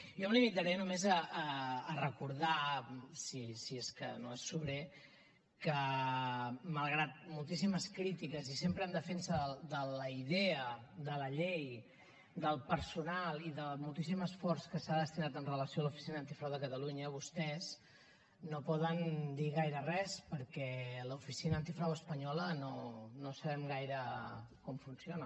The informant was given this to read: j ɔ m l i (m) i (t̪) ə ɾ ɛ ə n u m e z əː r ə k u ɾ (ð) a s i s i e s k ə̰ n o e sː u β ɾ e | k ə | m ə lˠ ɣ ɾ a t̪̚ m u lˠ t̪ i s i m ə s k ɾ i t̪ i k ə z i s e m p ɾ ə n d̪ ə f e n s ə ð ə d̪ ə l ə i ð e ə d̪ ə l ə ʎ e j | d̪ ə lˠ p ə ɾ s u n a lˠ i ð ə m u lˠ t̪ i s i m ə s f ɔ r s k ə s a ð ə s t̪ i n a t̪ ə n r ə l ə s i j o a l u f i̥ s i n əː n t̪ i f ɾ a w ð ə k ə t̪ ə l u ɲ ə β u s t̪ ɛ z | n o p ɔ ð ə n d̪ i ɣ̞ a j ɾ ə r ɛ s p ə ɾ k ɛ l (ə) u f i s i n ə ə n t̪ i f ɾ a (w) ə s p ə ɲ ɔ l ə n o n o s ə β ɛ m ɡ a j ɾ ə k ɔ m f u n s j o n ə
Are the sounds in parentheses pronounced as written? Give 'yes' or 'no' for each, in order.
yes, yes, yes, yes, yes

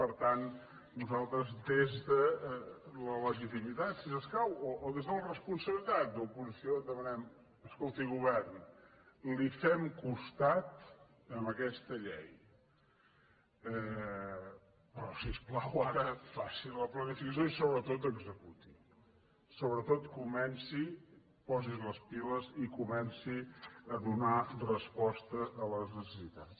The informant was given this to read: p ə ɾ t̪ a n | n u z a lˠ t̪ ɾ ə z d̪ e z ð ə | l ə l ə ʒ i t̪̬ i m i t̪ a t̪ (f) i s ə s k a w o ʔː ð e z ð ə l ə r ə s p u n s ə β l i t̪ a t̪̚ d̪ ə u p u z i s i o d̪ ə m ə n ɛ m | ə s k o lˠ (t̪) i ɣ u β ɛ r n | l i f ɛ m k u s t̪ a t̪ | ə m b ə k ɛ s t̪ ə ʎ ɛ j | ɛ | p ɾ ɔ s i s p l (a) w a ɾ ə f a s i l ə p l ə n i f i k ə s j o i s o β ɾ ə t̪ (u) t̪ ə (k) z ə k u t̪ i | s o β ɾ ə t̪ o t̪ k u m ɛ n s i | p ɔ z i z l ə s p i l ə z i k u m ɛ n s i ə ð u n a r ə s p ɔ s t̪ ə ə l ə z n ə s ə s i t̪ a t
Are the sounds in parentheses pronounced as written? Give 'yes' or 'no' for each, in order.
no, yes, yes, no, no

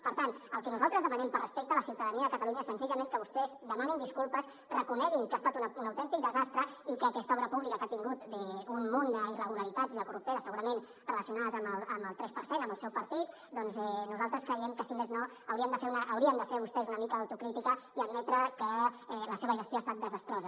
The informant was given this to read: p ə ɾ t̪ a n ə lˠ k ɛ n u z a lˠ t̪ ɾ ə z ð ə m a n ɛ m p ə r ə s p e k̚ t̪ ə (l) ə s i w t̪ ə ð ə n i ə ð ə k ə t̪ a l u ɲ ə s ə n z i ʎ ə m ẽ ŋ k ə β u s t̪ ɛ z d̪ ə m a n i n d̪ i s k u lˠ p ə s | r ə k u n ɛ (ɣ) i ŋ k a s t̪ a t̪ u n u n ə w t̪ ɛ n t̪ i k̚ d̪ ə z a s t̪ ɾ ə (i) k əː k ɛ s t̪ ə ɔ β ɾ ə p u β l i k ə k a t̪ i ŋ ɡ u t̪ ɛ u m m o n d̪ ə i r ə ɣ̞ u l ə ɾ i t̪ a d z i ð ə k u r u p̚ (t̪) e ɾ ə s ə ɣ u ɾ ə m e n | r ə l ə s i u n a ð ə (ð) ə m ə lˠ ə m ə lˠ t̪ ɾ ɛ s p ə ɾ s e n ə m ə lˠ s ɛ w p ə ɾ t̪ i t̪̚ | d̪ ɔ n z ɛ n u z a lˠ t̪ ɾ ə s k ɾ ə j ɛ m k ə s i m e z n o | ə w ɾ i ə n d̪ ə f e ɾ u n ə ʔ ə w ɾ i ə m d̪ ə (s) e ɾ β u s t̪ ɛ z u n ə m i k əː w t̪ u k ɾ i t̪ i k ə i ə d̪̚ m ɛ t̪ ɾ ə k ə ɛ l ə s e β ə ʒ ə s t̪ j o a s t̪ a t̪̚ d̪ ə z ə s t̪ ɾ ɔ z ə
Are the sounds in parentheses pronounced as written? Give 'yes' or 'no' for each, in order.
yes, yes, yes, yes, no, no

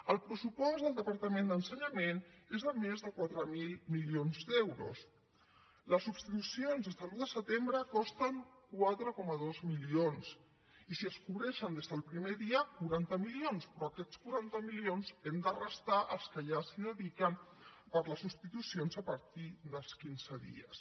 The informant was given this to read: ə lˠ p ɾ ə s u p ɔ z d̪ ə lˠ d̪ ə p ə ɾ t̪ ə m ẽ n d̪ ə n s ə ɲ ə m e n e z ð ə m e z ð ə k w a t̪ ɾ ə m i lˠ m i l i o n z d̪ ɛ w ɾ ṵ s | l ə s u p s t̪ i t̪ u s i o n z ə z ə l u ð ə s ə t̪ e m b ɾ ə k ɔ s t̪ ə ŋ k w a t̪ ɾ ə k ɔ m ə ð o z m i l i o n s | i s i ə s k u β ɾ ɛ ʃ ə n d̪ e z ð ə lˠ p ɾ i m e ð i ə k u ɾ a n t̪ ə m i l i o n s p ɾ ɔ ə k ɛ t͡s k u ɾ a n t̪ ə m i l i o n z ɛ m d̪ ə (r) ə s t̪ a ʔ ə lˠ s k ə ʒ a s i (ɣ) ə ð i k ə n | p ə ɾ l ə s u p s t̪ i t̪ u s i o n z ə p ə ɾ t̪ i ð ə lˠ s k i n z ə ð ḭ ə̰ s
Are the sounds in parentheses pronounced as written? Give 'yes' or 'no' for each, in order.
yes, no

